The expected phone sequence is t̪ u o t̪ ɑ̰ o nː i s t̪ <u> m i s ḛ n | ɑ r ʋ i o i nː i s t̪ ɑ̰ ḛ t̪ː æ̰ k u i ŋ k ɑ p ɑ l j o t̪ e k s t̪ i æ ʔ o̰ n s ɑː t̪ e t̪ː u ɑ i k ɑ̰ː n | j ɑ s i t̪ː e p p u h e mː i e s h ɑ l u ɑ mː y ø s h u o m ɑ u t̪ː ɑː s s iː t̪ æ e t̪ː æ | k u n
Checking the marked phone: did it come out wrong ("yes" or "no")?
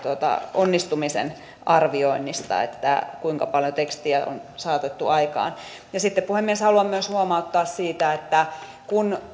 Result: no